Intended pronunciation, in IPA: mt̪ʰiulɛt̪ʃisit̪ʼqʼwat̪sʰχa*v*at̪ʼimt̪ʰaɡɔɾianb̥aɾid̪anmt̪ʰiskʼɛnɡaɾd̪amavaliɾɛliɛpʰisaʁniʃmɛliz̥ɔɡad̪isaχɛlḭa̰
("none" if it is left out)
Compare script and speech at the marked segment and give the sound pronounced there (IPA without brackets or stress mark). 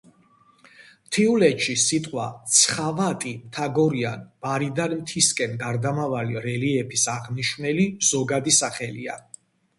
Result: v